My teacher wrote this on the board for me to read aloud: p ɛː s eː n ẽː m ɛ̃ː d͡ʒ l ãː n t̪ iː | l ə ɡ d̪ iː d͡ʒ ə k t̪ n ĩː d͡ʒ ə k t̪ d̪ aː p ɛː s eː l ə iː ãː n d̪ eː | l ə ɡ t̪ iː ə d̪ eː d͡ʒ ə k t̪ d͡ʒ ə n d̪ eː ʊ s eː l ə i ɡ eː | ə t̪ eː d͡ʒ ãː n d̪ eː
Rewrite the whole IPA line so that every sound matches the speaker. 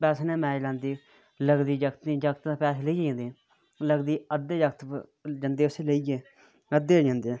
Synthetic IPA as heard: p ɛː s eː n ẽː m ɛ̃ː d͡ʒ l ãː n d̪ iː | l ə ɡ d̪ iː d͡ʒ ə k t̪ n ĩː d͡ʒ ə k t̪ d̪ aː p ɛː s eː l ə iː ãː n d̪ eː | l ə ɡ d̪ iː ə d̪ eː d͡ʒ ə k t̪ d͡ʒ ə n d̪ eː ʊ s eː l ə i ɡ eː | ə d̪ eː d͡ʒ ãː n d̪ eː